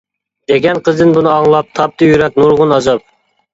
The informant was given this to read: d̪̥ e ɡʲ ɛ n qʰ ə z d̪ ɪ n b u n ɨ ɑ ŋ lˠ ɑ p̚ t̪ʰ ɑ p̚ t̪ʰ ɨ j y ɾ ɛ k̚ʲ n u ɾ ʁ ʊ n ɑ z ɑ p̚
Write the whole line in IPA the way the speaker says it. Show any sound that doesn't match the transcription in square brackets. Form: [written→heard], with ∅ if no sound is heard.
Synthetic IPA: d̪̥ e ɡʲ ɛ n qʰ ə z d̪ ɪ n b u n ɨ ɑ ŋ lˠ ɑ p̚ t̪ʰ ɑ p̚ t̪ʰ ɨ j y ɾ ɛ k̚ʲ n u ɾ ʁ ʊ n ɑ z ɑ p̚